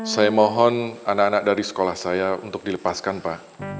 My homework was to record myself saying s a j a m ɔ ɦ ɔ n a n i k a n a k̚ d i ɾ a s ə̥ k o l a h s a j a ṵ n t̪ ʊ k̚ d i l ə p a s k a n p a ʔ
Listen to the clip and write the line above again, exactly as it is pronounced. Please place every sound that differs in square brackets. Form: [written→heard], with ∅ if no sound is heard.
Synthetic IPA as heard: s a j a m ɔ ɦ ɔ n a n [i→a] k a n a k̚ d [i→a] ɾ [a→i] s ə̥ k o l a h s a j a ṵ n t̪ ʊ k̚ d i l ə p a s k a n p a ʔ